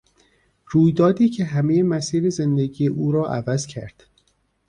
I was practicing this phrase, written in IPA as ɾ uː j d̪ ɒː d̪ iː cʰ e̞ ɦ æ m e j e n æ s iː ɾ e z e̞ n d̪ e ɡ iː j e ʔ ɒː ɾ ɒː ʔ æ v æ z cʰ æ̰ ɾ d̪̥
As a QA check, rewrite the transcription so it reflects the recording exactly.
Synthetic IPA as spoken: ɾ uː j d̪ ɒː d̪ iː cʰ e̞ ɦ æ m e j e m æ s iː ɾ e z e̞ n d̪ e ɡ iː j e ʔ uː ɾ ɒː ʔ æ v æ z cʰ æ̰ ɾ d̪̥